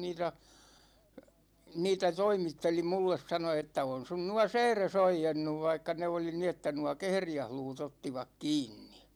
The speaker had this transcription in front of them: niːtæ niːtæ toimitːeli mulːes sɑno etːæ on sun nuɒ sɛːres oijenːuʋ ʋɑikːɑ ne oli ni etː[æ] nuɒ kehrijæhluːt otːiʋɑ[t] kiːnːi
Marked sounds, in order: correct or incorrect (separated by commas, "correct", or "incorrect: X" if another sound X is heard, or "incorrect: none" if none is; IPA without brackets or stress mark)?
correct, incorrect: k